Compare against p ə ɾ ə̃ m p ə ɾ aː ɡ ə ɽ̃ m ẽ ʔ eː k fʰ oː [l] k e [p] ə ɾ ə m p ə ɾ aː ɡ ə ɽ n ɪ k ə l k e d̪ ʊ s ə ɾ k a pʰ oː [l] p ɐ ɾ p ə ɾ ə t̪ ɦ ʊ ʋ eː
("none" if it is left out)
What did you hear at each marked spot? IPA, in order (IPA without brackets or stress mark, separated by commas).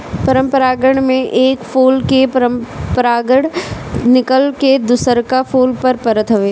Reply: l, p, l